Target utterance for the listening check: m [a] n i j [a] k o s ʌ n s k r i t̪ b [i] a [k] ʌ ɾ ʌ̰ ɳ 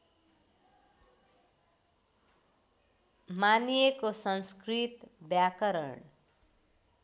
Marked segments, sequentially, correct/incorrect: correct, incorrect: e, incorrect: j, correct

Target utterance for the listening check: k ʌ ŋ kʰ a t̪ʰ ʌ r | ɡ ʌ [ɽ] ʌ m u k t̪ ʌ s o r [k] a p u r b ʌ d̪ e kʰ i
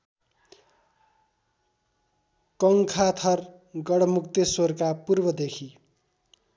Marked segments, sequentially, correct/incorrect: correct, correct

